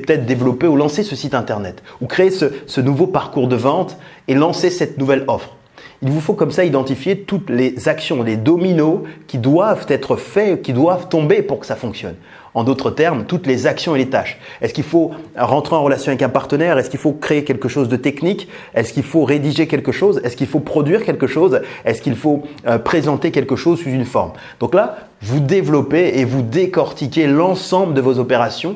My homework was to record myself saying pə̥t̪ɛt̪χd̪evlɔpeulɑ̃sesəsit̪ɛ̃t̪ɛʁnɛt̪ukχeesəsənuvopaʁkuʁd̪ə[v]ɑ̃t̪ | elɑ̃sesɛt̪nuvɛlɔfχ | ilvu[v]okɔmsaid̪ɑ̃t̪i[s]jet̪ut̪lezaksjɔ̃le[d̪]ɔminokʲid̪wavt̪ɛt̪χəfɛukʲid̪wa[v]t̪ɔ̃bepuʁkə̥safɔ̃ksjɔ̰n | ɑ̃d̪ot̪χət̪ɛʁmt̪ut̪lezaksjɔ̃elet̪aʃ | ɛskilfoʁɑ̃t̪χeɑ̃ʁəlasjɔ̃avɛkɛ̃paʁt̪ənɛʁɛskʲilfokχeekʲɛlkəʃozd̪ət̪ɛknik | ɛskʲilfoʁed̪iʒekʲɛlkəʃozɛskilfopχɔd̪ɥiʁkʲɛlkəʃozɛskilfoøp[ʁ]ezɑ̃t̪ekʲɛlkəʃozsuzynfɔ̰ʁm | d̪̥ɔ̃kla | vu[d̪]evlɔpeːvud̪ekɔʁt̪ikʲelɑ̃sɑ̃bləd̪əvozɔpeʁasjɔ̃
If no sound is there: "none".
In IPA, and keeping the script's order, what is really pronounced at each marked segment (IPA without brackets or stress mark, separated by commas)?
v, f, f, d̪, v, χ, d̪